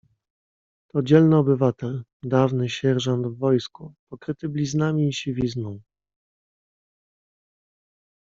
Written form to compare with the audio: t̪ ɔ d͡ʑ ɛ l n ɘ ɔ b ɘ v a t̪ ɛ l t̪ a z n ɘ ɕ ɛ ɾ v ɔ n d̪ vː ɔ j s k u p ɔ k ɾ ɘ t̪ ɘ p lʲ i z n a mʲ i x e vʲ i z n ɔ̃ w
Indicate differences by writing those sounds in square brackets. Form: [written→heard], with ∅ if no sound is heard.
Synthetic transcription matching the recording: t̪ ɔ d͡ʑ ɛ l n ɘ ɔ b ɘ v a t̪ ɛ l [t̪→d̪] a [z→v] n ɘ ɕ ɛ ɾ [v→ʐ] ɔ n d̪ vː ɔ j s k u p ɔ k ɾ ɘ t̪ ɘ [p→b] lʲ i z n a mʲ i [x→ɕ] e vʲ i z n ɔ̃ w

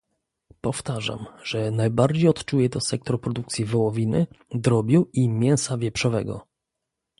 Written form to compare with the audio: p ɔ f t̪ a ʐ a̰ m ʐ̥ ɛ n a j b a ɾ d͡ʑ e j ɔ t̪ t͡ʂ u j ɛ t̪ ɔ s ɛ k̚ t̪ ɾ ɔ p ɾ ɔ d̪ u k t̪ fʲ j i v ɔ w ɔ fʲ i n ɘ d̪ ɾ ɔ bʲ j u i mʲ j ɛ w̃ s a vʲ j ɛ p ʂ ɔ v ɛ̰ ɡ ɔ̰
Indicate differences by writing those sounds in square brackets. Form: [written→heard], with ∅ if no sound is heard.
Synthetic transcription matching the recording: p ɔ f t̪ a ʐ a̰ m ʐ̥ ɛ n a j b a ɾ d͡ʑ e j ɔ t̪ t͡ʂ u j ɛ t̪ ɔ s ɛ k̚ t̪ ɾ ɔ p ɾ ɔ d̪ u k t̪ [fʲ→sʲ] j i v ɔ w ɔ [fʲ→vʲ] i n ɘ d̪ ɾ ɔ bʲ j u i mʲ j ɛ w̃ s a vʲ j ɛ p ʂ ɔ v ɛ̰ ɡ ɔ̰

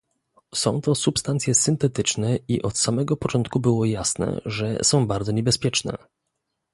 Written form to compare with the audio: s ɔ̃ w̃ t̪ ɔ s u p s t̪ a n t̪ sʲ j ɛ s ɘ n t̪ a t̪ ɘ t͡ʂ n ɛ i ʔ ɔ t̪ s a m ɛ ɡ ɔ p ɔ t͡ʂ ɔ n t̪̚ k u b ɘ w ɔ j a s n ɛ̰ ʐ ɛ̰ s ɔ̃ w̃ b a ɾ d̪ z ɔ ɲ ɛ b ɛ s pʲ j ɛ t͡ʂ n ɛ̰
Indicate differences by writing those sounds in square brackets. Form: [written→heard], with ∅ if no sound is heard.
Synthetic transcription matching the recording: s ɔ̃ w̃ t̪ ɔ s u p s t̪ a n t̪ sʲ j ɛ s ɘ n t̪ [a→ɛ] t̪ ɘ t͡ʂ n ɛ i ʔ ɔ t̪ s a m ɛ ɡ ɔ p ɔ t͡ʂ ɔ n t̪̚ k u b ɘ w ɔ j a s n ɛ̰ ʐ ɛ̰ s ɔ̃ w̃ b a ɾ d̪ z ɔ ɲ ɛ b ɛ s pʲ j ɛ t͡ʂ n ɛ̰

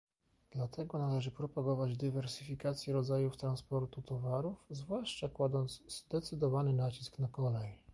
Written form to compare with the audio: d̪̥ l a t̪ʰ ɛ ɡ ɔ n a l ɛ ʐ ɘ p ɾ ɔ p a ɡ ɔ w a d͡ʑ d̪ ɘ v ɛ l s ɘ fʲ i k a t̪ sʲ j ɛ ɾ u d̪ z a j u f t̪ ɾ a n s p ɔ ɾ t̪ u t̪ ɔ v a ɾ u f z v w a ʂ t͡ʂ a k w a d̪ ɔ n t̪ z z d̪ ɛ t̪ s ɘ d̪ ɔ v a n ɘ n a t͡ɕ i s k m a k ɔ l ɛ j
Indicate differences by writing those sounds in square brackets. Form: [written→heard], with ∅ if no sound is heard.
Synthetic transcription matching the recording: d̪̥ l a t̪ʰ ɛ ɡ ɔ n a l ɛ ʐ ɘ p ɾ ɔ p a ɡ ɔ [w→v] a d͡ʑ d̪ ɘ v ɛ [l→ɾ] s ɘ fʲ i k a t̪ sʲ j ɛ ɾ [u→ɔ] d̪ z a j u f t̪ ɾ a n s p ɔ ɾ t̪ u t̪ ɔ v a ɾ u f z v w a ʂ t͡ʂ a k w a d̪ ɔ n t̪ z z d̪ ɛ t̪ s ɘ d̪ ɔ v a n ɘ n a t͡ɕ i s k [m→n] a k ɔ l ɛ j

